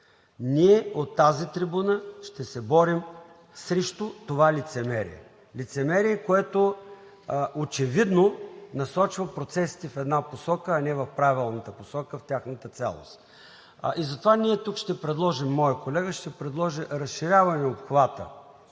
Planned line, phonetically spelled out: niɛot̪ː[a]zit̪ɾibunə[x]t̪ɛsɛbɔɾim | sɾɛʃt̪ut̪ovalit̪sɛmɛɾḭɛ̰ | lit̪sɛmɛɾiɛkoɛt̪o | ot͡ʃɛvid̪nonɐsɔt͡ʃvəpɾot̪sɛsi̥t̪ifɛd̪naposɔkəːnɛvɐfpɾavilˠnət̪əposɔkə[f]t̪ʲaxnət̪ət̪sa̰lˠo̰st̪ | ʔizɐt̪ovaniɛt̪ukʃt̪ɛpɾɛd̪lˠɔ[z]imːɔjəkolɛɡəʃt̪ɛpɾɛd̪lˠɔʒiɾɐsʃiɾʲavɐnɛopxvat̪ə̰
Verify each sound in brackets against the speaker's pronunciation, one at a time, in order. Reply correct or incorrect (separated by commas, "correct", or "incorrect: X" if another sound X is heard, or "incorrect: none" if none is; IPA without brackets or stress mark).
correct, incorrect: ʃ, correct, incorrect: ʒ